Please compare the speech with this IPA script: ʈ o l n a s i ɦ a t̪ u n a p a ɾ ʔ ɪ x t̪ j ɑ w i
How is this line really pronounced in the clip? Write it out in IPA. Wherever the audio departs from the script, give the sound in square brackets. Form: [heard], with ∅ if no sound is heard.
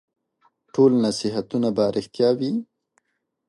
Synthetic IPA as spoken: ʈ o l n a s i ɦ a t̪ u n a [b] a ɾ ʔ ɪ x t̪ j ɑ w i